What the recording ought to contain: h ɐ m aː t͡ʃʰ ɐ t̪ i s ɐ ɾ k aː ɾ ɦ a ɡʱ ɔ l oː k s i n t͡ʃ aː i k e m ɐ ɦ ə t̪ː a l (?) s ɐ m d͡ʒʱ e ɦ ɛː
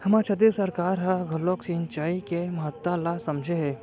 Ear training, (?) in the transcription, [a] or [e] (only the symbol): a